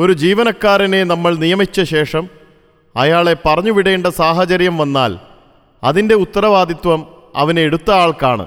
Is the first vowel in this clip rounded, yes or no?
yes